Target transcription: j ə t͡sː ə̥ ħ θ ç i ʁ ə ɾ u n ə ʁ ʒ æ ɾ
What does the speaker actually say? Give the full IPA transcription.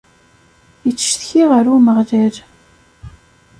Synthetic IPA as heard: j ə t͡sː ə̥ ʃ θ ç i ʁ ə ɾ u m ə ʁ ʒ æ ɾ